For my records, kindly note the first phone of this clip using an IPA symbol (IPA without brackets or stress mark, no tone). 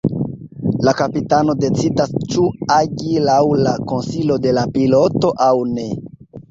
l